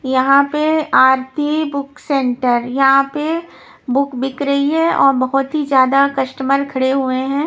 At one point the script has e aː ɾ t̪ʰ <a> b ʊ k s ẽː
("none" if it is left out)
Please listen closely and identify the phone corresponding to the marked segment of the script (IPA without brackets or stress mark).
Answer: i